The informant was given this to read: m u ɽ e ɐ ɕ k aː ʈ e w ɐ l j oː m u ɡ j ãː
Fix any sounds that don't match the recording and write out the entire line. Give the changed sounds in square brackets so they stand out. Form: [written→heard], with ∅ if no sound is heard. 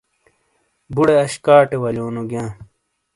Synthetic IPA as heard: [m→b] u ɽ e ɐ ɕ k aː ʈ e w ɐ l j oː [m→n] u ɡ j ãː

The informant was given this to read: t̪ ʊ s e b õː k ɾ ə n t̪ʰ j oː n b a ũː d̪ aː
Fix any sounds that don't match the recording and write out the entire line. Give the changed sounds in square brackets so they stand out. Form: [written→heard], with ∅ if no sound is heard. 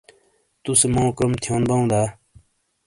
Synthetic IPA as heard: t̪ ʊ s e [b→m] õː k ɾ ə [n→m] t̪ʰ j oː n b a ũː d̪ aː

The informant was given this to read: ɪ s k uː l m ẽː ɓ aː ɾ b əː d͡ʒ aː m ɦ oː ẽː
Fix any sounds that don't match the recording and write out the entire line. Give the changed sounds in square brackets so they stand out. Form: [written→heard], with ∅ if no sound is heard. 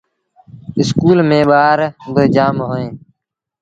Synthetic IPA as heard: ɪ s k uː l m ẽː ɓ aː ɾ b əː d͡ʒ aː m ɦ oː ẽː

